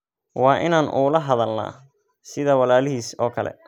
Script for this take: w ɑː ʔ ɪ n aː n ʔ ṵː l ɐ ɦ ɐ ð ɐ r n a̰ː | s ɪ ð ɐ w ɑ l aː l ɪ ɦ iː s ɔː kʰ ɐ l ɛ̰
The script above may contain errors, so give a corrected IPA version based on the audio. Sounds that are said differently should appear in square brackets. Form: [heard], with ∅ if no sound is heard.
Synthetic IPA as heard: w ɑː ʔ ɪ n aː n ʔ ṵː l ɐ ɦ ɐ ð ɐ [l] n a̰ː | s ɪ ð ɐ w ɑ l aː l ɪ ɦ iː s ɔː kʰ ɐ l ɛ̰